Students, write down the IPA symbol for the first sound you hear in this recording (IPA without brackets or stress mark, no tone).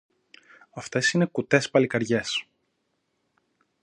ɐ